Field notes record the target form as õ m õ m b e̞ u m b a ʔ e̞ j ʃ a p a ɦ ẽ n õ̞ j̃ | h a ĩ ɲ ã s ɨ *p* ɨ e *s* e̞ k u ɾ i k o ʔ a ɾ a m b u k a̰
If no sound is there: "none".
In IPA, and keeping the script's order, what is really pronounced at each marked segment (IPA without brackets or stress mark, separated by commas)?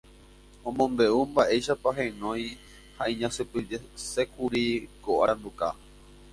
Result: p, s